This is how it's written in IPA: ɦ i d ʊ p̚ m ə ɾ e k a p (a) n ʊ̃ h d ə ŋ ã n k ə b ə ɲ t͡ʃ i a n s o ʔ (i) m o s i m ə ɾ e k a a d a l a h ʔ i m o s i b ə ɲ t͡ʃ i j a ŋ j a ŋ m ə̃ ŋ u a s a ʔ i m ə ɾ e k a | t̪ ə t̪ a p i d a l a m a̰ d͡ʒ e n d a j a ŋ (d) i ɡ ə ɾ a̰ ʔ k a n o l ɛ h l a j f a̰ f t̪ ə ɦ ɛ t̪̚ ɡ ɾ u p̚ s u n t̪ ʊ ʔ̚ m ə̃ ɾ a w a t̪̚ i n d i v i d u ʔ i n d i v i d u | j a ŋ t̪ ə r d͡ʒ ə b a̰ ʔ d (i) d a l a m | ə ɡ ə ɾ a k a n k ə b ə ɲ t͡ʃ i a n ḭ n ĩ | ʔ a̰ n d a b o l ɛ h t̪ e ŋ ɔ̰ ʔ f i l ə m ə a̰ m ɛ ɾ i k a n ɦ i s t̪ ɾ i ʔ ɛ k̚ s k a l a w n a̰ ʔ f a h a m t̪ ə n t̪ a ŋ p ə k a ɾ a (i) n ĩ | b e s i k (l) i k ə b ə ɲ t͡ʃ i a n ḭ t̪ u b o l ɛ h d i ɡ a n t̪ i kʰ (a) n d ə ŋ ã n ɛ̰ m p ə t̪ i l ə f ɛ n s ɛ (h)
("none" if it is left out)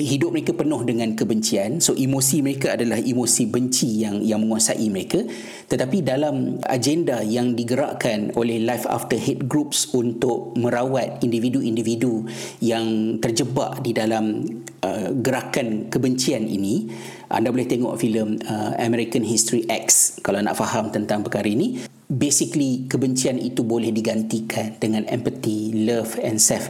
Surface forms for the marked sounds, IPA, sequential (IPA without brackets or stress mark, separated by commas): ə, i, d, i, i, l, a, f